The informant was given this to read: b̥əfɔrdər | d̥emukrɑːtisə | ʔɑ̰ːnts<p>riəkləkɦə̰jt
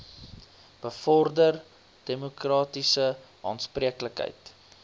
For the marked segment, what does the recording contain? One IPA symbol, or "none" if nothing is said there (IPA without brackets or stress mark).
p